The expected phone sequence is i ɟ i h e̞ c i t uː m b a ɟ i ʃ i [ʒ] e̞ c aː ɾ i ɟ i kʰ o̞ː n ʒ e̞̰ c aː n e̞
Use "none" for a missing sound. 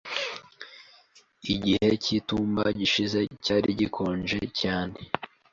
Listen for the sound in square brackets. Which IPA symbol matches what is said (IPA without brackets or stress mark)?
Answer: z